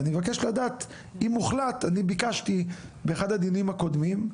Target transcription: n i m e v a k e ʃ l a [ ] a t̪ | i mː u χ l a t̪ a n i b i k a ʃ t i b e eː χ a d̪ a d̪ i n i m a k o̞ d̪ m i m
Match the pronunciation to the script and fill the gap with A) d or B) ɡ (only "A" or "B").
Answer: A